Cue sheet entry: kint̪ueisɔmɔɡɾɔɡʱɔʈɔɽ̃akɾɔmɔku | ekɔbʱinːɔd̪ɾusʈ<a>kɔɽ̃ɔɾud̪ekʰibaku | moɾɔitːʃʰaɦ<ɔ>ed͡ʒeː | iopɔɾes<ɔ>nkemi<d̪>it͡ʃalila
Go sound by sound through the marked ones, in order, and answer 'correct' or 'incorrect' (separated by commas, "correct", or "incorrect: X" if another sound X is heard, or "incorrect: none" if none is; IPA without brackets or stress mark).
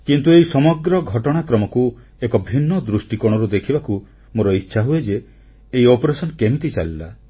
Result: incorrect: i, incorrect: u, correct, incorrect: t̪